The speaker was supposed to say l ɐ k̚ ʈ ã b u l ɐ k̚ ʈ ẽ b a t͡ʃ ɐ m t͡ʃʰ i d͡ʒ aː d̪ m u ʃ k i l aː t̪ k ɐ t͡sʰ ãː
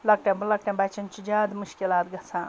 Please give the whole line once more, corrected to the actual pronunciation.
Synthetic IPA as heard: l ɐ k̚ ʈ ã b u l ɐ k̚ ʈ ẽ b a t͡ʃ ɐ n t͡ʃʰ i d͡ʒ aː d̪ m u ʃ k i l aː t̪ ɡ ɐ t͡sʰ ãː